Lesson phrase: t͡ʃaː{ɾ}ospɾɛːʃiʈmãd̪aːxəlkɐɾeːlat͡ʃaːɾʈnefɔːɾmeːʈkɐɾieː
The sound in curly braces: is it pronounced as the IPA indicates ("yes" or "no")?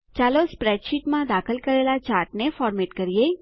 no